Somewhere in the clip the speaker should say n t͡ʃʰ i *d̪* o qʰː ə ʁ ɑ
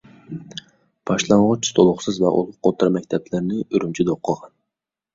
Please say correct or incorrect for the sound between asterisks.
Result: correct